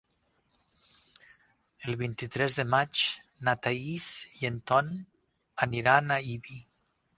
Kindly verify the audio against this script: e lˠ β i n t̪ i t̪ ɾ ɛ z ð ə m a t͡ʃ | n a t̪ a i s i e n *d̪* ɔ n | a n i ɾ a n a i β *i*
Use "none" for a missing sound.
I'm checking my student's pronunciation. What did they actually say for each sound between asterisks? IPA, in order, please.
t̪, i

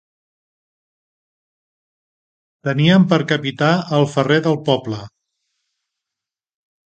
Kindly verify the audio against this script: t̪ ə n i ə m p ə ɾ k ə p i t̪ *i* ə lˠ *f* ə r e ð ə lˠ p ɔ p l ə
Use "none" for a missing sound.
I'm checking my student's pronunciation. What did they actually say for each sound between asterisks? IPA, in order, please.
a, f

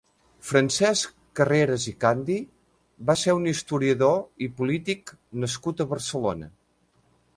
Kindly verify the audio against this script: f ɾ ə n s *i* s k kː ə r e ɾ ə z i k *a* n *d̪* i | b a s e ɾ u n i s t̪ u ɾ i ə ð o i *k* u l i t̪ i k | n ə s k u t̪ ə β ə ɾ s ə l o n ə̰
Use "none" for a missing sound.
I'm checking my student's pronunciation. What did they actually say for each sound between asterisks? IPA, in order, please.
ɛ, a, d̪, p

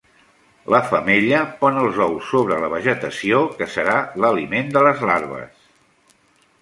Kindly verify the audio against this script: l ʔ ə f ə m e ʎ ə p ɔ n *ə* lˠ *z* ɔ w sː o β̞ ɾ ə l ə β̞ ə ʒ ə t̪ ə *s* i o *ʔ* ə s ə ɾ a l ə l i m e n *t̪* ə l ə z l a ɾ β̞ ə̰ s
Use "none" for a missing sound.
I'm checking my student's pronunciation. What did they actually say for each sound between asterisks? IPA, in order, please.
ə, z, s, k, d̪

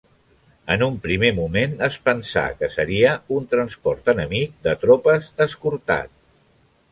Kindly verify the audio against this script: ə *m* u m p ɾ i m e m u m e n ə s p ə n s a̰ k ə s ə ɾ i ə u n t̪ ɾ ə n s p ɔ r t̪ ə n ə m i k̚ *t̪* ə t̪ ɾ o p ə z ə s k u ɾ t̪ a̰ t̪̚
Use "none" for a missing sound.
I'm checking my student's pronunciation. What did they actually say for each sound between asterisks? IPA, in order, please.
n, d̪

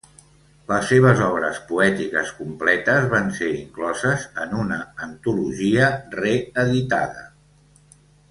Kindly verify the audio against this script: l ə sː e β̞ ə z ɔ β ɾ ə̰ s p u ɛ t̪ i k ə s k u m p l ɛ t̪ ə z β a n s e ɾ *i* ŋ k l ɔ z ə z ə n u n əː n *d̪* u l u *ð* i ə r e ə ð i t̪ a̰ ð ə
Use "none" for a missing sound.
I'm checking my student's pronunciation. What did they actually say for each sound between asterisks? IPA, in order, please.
i, t̪, ʒ

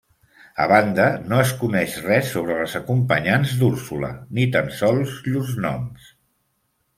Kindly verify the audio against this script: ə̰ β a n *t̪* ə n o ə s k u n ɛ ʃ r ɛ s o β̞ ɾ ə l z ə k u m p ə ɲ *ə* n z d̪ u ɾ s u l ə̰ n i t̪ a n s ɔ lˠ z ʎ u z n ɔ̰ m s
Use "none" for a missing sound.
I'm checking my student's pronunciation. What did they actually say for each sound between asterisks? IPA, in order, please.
d̪, a

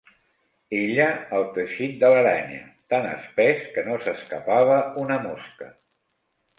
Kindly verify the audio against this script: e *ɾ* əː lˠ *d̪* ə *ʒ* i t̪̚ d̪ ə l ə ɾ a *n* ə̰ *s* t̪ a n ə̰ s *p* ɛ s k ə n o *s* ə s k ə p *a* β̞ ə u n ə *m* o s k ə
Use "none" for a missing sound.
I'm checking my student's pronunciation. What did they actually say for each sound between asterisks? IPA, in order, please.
ʎ, t̪, ʃ, ɲ, none, p, s, a, m

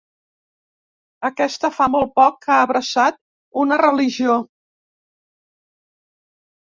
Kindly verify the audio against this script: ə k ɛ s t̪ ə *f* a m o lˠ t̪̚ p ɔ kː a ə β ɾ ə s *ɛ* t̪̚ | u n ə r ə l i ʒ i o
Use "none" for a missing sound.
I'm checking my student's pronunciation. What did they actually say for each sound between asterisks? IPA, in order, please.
f, a

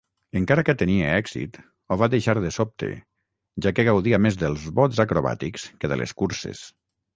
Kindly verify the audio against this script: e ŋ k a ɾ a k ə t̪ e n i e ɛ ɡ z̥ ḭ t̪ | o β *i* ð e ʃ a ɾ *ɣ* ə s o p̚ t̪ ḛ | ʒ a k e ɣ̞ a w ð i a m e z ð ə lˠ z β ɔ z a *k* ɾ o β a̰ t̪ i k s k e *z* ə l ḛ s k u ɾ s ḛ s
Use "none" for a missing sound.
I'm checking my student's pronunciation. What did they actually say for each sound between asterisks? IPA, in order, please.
a, ð, k, ð

